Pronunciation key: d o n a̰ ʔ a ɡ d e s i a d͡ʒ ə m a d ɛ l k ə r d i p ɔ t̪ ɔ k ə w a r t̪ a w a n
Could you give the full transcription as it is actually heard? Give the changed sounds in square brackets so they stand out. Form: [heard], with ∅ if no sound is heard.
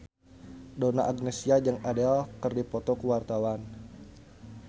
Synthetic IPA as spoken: d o n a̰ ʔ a ɡ [n] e s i a d͡ʒ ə [ŋ] a d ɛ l k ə r d i p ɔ t̪ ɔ k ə w a r t̪ a w a n